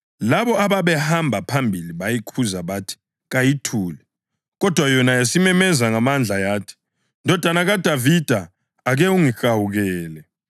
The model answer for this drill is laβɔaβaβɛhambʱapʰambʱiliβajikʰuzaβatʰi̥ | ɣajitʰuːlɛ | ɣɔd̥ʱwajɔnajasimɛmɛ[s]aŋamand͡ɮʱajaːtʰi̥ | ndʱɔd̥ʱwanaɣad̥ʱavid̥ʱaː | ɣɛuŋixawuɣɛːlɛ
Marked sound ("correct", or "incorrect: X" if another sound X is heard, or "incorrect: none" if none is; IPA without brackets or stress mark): incorrect: z